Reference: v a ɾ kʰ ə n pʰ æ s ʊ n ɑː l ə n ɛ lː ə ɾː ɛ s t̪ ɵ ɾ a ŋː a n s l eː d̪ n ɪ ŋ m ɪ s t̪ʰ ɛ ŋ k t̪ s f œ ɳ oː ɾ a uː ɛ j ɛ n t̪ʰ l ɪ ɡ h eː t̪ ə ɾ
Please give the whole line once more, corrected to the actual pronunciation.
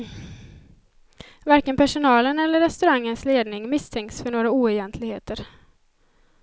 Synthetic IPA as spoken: v a ɾ k ə n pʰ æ ʂ ʊ n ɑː l ə n ɛ lː ə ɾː ɛ s t̪ ɵ ɾ a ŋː ə n s l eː d̪ n ɪ ŋ m ɪ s t̪ʰ ɛ ŋ k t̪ s f œ ɳ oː ɾ a uː ɛ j ɛ n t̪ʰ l ɪ ɡ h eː t̪ ə ɾ